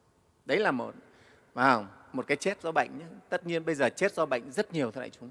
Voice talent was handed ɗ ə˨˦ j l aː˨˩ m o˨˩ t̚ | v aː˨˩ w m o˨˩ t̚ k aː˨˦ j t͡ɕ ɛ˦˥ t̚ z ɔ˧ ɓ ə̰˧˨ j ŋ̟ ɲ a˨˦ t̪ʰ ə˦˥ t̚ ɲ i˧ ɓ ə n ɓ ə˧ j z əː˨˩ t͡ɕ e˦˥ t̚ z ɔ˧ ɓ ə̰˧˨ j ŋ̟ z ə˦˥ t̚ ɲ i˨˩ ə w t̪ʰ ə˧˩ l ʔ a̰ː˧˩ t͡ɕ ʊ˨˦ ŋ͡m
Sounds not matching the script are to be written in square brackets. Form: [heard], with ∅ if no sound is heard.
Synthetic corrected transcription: ɗ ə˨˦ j l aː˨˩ m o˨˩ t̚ | v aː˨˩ w m o˨˩ t̚ k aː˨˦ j t͡ɕ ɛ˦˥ t̚ z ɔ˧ ɓ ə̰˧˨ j ŋ̟ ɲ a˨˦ [t̪] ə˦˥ t̚ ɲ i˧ [∅] ə n ɓ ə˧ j z əː˨˩ t͡ɕ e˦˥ t̚ z ɔ˧ ɓ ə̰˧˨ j ŋ̟ z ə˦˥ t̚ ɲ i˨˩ ə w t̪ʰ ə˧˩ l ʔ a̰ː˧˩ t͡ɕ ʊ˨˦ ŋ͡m